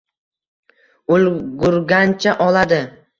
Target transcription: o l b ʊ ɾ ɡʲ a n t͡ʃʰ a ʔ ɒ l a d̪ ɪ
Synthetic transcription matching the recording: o l ɡ ʊ ɾ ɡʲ a n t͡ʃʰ a ʔ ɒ l a d̪ ɪ

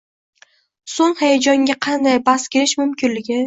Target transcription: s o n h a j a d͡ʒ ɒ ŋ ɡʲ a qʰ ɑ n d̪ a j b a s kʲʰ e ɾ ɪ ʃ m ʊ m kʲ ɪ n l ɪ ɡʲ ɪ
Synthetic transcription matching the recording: s o ŋ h a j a d͡ʒ ɒ ŋ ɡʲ a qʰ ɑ n d̪ a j b a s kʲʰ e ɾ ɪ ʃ m ʊ m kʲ ɪ n l ɪ ɡʲ ɪ

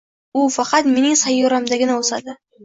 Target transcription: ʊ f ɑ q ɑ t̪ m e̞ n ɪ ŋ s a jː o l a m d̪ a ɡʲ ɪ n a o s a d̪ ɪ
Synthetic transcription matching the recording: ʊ f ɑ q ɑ t̪ m e̞ n ɪ ŋ s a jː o ɾ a m d̪ a ɡʲ ɪ n a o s a d̪ ɪ

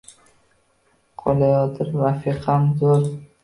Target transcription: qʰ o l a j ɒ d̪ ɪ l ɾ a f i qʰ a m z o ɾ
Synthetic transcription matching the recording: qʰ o l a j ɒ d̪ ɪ ɾ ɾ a f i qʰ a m z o ɾ

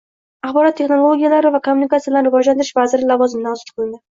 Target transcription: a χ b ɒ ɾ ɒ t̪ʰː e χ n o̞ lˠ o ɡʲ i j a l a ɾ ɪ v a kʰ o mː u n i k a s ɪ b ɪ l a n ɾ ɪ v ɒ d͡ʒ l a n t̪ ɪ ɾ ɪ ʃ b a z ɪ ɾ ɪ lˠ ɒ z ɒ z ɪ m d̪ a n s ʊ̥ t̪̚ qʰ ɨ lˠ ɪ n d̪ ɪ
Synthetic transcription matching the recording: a χ b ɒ ɾ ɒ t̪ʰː e χ n o̞ lˠ o ɡʲ i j a l a ɾ ɪ v a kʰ o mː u n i k a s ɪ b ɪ l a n ɾ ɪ v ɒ d͡ʒ l a n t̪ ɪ ɾ ɪ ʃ v a z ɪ ɾ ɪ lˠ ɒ v ɒ z ɪ m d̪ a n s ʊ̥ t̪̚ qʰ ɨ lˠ ɪ n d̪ ɪ

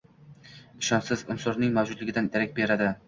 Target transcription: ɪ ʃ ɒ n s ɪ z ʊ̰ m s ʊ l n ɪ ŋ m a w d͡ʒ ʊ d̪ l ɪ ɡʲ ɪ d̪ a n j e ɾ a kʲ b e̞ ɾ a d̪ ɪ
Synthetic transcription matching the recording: ɪ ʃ ɒ n s ɪ z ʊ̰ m s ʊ ɾ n ɪ ŋ m a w d͡ʒ ʊ d̪ l ɪ ɡʲ ɪ d̪ a n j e ɾ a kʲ b e̞ ɾ a d̪ ɪ

